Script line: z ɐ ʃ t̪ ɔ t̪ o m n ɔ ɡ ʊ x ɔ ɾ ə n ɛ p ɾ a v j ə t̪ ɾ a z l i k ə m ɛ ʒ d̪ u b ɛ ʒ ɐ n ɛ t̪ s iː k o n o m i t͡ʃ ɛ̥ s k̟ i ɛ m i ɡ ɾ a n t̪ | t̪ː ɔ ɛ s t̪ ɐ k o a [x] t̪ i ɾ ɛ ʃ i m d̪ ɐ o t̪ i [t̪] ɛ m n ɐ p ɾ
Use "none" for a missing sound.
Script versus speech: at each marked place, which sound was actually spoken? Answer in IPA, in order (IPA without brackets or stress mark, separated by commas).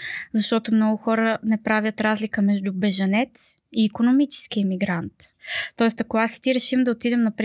s, d̪